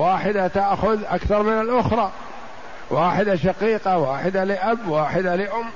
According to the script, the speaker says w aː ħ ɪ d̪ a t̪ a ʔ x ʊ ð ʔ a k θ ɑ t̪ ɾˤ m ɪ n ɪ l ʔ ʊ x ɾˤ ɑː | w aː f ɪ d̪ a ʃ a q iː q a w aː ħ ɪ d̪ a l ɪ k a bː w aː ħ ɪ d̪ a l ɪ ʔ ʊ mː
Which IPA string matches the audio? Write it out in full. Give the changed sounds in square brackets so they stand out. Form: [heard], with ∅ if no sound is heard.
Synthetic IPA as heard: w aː ħ ɪ d̪ a t̪ a ʔ x ʊ ð ʔ a k θ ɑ [∅] ɾˤ m ɪ n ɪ l ʔ ʊ x ɾˤ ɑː | w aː [ħ] ɪ d̪ a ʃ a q iː q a w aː ħ ɪ d̪ a l ɪ [ʔ] a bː w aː ħ ɪ d̪ a l ɪ ʔ ʊ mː